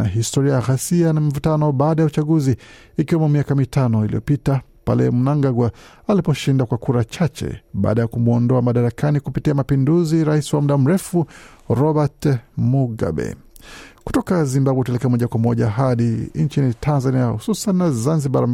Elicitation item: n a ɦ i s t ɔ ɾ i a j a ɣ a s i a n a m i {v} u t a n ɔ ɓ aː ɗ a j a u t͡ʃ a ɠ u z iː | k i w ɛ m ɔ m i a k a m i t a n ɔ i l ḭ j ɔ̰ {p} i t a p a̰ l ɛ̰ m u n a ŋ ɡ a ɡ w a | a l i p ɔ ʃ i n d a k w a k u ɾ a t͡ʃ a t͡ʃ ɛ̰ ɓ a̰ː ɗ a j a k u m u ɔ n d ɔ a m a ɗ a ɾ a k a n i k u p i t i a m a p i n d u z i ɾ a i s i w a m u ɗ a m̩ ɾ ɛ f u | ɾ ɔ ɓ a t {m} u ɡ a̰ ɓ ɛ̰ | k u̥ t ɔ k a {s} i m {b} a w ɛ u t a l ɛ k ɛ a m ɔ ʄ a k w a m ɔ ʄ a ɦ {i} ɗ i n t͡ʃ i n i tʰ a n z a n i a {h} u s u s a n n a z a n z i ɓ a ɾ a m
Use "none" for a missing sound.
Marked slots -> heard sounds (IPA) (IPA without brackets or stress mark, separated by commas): v, p, m, z, b, a, h